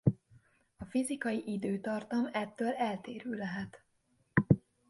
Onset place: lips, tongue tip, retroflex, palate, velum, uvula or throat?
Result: lips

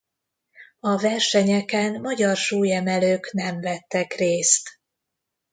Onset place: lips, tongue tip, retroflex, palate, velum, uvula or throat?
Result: lips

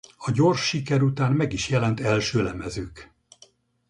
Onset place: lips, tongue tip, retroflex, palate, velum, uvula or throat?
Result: palate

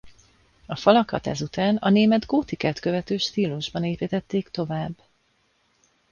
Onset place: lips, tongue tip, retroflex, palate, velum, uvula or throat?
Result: lips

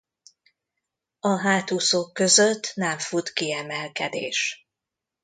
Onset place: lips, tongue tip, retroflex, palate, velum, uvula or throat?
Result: throat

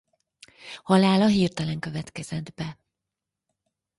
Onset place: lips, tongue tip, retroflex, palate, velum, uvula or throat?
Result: throat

